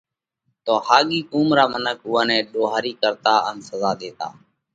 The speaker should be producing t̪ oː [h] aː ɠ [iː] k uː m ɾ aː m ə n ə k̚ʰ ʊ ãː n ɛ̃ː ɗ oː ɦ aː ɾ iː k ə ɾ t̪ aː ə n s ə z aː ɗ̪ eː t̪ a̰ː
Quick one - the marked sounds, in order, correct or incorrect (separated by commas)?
correct, correct